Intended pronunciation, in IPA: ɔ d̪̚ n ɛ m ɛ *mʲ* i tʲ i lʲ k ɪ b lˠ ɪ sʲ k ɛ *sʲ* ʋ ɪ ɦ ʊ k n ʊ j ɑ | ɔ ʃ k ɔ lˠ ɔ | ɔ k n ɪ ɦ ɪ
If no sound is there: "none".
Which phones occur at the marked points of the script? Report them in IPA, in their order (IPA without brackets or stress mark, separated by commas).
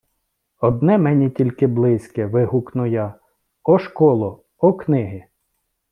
nʲ, none